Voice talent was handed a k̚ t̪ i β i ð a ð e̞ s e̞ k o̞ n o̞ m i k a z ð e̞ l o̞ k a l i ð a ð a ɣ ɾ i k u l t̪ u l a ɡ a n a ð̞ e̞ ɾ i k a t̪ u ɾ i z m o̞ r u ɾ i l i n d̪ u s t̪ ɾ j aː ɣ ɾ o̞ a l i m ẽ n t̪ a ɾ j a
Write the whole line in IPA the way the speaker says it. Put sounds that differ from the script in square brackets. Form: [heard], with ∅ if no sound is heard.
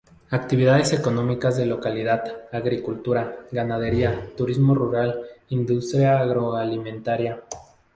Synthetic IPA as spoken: a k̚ t̪ i β i ð a ð e̞ s e̞ k o̞ n o̞ m i k a z ð e̞ l o̞ k a l i ð a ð a ɣ ɾ i k u l t̪ u [ɾ] a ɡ a n a ð̞ e̞ ɾ i [∅] a t̪ u ɾ i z m o̞ r u ɾ [a] l i n d̪ u s t̪ ɾ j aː ɣ ɾ o̞ a l i m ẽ n t̪ a ɾ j a